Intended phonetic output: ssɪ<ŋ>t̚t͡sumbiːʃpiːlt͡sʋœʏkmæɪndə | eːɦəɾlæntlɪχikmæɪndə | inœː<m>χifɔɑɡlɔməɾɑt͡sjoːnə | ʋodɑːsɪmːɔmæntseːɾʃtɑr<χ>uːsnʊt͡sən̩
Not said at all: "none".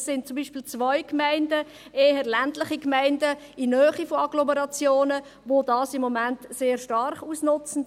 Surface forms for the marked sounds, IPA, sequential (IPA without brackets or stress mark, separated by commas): n, none, χ